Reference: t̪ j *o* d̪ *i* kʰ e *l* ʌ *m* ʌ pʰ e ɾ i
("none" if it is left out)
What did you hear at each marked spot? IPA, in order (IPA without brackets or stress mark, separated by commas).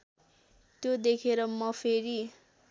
o, e, ɾ, m